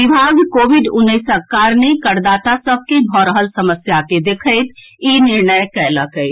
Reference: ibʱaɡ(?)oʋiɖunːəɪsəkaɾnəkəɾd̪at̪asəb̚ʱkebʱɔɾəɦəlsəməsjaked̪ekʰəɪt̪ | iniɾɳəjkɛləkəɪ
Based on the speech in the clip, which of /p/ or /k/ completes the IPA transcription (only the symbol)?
k